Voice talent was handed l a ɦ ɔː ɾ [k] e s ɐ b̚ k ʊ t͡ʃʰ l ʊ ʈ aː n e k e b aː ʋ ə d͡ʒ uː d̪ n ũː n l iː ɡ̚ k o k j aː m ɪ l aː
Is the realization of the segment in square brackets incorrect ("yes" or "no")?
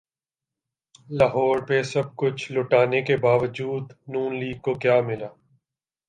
yes